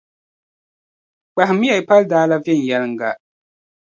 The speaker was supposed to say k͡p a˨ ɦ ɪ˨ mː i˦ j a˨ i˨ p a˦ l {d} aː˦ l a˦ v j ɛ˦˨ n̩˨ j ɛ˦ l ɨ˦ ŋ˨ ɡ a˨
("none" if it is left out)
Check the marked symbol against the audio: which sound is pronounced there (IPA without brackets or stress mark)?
d